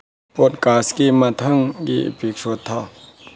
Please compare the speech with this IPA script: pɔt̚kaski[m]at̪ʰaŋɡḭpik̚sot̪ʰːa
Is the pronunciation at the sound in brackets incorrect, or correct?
correct